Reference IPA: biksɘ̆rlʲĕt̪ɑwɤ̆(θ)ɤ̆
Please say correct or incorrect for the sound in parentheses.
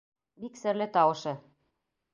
incorrect